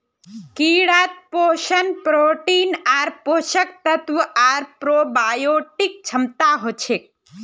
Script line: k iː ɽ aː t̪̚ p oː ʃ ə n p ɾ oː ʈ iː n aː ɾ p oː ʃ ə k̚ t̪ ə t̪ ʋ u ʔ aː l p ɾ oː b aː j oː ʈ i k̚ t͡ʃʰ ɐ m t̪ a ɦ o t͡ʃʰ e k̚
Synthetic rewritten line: k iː ɽ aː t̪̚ p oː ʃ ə n p ɾ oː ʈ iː n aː ɾ p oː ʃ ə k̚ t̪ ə t̪ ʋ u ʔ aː ɾ p ɾ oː b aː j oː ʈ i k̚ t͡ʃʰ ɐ m t̪ a ɦ o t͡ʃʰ e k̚